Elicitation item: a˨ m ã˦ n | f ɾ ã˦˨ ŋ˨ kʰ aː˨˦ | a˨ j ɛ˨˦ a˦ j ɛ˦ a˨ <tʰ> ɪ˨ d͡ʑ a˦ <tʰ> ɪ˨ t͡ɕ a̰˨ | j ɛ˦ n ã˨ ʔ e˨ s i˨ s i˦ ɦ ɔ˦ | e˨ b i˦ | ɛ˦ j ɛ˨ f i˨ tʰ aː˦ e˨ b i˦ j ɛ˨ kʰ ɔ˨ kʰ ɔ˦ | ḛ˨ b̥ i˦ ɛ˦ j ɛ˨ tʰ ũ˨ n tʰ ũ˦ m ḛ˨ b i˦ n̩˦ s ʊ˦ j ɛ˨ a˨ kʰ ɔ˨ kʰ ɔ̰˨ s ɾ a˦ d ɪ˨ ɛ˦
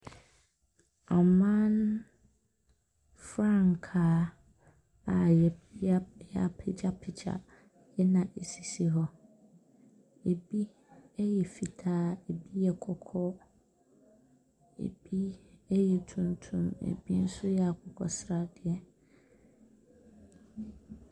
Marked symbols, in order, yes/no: no, no

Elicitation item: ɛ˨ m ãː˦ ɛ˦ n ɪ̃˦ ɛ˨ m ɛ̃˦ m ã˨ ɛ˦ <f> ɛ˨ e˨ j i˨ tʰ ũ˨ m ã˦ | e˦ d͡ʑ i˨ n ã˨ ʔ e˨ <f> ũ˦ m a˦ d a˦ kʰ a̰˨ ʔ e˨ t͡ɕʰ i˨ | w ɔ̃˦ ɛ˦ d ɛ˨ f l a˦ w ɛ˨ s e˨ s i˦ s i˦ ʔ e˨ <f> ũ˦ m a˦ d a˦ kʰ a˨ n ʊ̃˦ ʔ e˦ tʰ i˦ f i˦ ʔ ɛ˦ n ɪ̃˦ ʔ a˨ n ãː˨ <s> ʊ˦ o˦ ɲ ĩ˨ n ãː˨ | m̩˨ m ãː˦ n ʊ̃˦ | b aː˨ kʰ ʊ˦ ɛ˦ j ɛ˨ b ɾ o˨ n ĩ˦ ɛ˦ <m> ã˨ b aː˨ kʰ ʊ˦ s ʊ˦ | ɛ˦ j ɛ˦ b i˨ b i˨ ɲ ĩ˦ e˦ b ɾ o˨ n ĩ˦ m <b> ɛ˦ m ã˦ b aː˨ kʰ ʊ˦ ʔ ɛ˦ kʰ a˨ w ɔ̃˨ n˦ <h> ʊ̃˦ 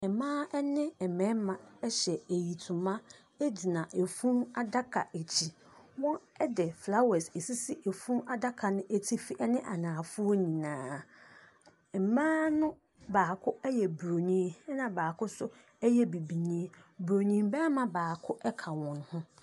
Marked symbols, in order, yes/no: no, yes, yes, no, no, yes, yes

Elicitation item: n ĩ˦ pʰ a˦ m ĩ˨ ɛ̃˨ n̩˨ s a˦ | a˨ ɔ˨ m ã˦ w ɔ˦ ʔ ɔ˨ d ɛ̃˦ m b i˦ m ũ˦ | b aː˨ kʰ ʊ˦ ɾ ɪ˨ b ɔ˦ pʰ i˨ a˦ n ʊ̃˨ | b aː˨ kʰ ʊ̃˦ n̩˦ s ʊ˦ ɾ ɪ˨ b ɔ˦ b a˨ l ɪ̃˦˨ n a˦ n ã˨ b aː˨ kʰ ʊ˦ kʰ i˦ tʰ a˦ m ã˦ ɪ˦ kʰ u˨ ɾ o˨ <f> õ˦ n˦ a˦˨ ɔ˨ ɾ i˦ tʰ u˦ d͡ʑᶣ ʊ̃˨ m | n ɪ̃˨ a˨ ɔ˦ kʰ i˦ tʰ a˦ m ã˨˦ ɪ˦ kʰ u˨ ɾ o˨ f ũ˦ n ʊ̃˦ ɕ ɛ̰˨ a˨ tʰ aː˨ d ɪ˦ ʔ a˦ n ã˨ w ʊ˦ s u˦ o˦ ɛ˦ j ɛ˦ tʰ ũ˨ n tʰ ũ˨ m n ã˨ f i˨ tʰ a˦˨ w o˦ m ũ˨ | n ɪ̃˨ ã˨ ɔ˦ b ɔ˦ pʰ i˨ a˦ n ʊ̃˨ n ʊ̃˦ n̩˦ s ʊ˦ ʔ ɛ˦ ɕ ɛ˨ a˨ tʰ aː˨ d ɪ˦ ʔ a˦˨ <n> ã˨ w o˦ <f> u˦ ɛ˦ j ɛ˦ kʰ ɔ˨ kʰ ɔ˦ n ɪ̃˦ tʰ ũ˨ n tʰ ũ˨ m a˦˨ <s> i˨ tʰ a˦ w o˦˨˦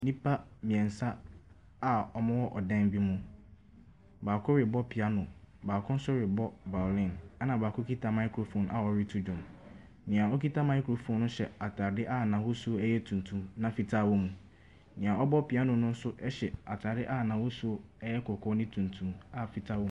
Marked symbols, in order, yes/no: yes, yes, no, no

